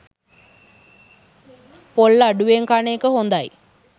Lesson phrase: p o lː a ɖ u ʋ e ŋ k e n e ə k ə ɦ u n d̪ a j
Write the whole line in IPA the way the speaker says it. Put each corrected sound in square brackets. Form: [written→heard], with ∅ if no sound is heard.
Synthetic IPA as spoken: p o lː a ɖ u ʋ e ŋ k [e→a] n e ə k ə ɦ [u→o] n d̪ a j